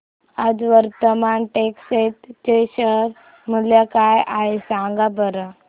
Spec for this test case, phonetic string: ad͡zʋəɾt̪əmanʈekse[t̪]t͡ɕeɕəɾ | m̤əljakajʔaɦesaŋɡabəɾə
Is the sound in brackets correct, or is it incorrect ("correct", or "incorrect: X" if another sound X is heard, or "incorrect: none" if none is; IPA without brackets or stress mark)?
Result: correct